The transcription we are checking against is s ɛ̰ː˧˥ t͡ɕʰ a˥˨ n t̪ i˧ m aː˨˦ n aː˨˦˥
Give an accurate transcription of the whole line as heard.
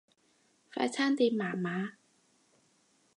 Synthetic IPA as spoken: f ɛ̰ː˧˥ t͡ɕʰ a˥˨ n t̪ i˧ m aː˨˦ m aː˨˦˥